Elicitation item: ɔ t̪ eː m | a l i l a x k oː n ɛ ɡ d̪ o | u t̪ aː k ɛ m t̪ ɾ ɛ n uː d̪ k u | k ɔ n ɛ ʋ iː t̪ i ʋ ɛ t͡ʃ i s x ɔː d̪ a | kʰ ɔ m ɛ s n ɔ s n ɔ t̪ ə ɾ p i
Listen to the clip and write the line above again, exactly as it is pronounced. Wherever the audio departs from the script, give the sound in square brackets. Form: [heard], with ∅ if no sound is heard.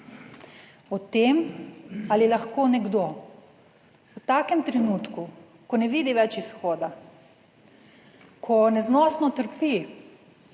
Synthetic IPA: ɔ t̪ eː m | a l i l a x k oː n ɛ ɡ d̪ o | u t̪ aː k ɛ m t̪ ɾ ɛ n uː [t̪] k u | k ɔ n ɛ ʋ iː [d̪] i ʋ ɛ t͡ʃ i s x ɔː d̪ a | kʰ ɔ [n] ɛ [z] n ɔ s n ɔ t̪ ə ɾ p i